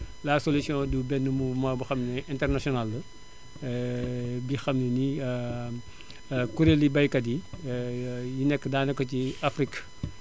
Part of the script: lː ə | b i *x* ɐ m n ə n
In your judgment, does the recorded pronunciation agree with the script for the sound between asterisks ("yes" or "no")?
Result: yes